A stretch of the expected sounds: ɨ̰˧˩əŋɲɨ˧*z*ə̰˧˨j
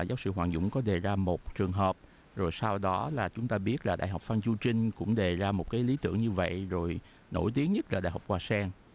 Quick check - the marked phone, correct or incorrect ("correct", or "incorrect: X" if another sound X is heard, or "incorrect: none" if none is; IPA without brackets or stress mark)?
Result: incorrect: v